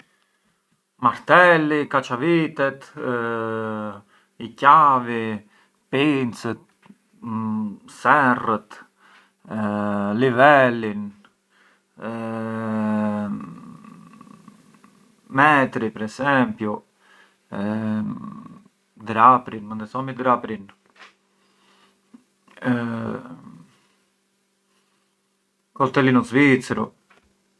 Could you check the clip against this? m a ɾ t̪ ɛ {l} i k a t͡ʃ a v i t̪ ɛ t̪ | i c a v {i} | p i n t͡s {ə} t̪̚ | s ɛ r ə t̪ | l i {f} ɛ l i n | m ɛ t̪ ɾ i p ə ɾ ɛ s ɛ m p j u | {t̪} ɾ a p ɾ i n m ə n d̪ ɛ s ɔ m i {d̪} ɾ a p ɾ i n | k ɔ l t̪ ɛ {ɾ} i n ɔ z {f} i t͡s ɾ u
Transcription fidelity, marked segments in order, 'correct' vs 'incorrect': correct, correct, correct, incorrect, incorrect, correct, incorrect, incorrect

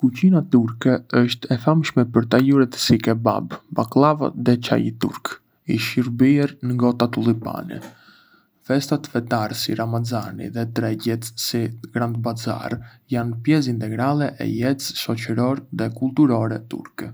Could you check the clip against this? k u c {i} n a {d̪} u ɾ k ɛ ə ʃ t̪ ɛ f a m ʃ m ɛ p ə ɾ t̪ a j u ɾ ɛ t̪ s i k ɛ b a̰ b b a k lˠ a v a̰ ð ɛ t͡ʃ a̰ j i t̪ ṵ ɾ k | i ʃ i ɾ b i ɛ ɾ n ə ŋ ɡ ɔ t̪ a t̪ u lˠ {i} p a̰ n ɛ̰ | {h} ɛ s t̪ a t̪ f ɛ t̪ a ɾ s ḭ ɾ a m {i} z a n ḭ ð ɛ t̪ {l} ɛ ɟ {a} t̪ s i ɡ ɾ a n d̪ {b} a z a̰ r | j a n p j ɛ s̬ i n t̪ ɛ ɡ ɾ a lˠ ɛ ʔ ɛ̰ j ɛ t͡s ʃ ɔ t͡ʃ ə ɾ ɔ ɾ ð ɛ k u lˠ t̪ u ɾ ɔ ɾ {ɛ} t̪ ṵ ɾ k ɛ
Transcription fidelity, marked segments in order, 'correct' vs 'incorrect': correct, incorrect, correct, incorrect, incorrect, incorrect, incorrect, correct, correct

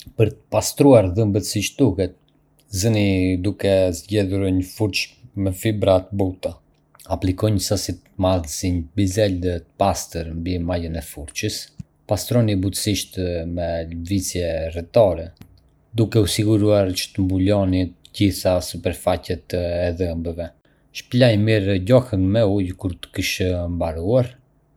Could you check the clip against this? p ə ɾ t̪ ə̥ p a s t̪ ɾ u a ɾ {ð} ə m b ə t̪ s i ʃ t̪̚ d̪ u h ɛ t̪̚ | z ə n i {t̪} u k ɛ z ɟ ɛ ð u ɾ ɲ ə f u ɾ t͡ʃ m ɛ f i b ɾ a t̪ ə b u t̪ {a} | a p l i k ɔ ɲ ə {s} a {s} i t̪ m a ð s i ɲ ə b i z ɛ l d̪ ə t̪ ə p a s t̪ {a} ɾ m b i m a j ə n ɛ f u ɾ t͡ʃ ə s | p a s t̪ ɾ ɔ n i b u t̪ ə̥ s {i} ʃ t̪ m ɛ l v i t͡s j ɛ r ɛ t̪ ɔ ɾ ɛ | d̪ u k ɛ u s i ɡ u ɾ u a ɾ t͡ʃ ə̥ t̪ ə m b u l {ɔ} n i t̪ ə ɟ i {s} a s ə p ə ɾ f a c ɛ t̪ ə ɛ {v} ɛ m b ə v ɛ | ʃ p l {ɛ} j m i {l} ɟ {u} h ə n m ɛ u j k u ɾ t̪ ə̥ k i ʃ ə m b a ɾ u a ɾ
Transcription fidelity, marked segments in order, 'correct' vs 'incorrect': correct, incorrect, correct, correct, correct, incorrect, correct, correct, incorrect, incorrect, incorrect, incorrect, incorrect

